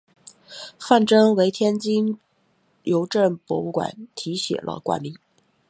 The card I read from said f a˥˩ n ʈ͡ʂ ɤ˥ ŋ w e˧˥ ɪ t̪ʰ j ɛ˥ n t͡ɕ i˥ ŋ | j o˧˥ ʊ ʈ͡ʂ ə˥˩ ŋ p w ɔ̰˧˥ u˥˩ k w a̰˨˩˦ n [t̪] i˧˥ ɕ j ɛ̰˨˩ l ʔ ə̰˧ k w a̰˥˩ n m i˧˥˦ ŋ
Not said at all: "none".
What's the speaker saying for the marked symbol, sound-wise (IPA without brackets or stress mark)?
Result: t̪ʰ